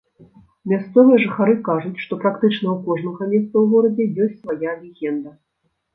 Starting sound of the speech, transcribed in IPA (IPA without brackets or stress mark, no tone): mʲ